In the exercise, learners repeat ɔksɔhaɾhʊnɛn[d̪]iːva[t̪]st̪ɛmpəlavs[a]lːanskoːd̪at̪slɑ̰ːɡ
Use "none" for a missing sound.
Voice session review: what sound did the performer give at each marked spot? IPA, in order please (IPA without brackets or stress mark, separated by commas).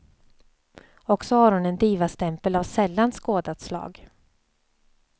d̪, none, ɛ